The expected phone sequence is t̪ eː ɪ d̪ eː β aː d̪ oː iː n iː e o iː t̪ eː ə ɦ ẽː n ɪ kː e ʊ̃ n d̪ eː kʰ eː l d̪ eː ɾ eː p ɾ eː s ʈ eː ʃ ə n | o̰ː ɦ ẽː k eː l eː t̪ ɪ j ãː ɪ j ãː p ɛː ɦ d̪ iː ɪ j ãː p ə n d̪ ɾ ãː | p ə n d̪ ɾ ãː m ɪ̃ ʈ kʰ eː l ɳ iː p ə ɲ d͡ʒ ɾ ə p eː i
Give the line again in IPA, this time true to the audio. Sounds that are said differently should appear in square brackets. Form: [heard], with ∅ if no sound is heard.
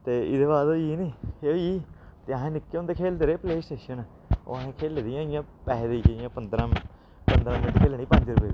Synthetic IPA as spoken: t̪ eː ɪ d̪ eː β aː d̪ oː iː n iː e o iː t̪ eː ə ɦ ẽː n ɪ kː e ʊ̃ n d̪ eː kʰ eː l d̪ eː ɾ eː p [l] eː s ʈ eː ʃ ə n | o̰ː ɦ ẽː [kʰ] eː l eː [d̪] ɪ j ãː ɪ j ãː p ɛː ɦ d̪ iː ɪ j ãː p ə n d̪ ɾ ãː | p ə n d̪ ɾ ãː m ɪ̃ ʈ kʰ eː l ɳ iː p ə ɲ d͡ʒ ɾ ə p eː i